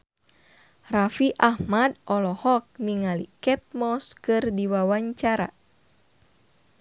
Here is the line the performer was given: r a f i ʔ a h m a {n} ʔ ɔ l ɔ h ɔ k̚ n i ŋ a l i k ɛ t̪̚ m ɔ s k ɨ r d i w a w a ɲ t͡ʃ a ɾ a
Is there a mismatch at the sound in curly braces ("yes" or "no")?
yes